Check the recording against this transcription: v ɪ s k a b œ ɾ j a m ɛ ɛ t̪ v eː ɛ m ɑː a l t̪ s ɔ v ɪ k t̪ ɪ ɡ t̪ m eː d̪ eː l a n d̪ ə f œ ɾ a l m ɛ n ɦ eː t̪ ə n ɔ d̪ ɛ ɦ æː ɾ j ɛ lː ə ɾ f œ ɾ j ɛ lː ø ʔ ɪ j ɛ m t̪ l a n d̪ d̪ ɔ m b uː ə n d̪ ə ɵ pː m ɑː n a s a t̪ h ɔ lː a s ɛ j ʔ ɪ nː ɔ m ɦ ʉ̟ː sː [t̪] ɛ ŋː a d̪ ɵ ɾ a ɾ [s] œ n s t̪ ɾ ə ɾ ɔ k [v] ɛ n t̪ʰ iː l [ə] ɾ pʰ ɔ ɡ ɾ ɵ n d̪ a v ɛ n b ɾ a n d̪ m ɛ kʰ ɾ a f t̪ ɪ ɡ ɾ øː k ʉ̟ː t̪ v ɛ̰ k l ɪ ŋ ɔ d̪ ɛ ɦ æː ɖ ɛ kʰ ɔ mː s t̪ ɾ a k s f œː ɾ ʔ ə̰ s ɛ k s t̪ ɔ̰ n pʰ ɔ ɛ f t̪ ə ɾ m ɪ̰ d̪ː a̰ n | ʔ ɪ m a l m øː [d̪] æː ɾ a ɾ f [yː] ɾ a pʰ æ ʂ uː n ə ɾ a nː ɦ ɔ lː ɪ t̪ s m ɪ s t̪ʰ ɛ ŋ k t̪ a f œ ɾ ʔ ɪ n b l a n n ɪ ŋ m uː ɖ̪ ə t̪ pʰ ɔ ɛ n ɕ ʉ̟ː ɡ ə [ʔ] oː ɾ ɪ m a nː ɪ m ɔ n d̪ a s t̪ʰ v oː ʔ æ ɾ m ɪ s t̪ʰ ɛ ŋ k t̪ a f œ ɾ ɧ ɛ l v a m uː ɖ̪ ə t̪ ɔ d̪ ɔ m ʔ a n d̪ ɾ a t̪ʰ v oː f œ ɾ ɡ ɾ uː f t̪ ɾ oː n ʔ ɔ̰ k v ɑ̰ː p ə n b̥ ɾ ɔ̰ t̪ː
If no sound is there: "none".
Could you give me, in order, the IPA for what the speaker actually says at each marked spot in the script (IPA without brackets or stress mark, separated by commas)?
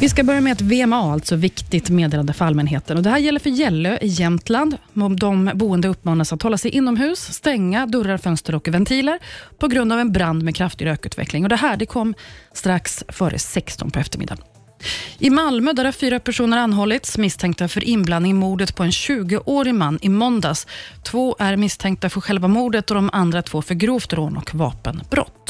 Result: t̪, f, v, ə, d̪, yː, ʔ